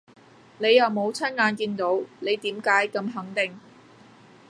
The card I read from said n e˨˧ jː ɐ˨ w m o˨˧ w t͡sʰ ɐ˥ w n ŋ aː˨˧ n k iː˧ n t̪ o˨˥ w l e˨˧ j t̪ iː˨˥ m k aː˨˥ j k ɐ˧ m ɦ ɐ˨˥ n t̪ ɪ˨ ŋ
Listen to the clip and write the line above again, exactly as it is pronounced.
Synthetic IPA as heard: n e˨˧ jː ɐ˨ w m o˨˧ w t͡sʰ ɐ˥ n ŋ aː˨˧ n k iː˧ n t̪ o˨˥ w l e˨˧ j t̪ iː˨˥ m k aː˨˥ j k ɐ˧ m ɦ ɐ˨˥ ŋ t̪ ɪ˨ ŋ